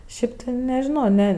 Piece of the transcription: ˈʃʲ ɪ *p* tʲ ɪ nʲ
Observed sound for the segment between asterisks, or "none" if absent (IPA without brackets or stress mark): p